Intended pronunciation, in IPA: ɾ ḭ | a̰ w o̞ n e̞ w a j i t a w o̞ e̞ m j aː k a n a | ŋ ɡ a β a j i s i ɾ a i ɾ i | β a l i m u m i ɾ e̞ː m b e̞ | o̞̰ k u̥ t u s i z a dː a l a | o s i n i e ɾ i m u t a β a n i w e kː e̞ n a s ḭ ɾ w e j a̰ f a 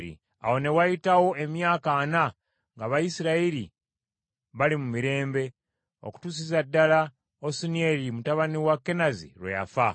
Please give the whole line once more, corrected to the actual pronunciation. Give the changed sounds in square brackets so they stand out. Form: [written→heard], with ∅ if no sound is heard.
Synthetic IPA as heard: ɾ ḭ | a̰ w o̞ n e̞ w a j i t a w o̞ e̞ m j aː k a n a | ŋ ɡ a β a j i s i ɾ a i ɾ i | β a l i m u m i ɾ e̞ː m b e̞ | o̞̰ k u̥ t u s i z a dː a l a | o s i n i e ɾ i m u t a β a n i w [e→a] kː e̞ n a [s→z] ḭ ɾ w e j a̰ f a